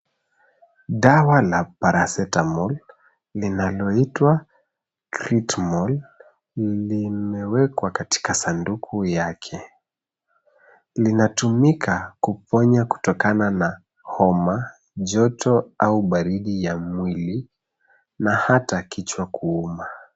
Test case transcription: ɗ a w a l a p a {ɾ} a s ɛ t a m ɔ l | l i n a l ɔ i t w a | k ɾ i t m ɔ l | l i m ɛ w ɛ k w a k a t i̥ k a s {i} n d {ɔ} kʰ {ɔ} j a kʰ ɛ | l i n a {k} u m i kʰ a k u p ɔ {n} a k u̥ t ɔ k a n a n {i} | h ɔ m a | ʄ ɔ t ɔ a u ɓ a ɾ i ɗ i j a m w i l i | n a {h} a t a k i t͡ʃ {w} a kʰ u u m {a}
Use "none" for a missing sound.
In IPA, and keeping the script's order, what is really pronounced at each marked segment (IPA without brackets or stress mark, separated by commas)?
ɾ, a, u, u, t, ɲ, a, h, w, a